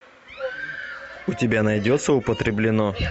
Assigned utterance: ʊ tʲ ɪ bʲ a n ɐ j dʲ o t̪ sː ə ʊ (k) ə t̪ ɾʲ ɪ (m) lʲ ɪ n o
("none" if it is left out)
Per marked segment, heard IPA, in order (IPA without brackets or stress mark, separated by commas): p, b